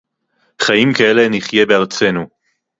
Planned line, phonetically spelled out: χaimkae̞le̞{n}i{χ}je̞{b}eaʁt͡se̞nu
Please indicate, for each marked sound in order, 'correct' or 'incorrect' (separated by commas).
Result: correct, correct, correct